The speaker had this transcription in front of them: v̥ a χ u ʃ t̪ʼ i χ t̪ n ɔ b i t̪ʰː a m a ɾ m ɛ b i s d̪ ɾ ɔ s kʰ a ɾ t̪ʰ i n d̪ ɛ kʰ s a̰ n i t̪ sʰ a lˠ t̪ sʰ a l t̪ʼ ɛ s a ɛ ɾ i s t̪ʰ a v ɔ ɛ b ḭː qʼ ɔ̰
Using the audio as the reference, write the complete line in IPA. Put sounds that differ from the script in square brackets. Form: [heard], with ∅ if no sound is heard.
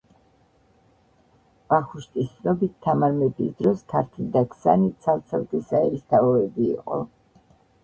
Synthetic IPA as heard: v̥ a χ u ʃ t̪ʼ i [s] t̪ n ɔ b i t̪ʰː a m a ɾ m ɛ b i s d̪ ɾ ɔ s kʰ a ɾ t̪ʰ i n d̪ [a] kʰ s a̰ n i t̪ sʰ a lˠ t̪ sʰ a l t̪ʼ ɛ s a ɛ ɾ i s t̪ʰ a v ɔ ɛ b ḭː qʼ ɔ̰